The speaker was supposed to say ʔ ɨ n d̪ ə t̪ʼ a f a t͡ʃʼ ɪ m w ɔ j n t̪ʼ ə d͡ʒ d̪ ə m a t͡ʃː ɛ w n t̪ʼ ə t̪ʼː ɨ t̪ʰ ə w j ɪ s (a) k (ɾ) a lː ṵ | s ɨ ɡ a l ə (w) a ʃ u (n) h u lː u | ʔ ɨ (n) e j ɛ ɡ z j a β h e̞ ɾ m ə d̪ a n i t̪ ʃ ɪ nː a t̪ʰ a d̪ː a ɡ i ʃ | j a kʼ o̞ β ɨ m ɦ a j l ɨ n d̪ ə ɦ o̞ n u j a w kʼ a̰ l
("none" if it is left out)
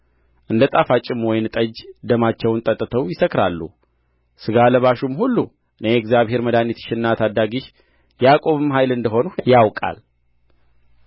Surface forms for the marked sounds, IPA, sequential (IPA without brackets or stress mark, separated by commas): ə, ɾ, β, m, n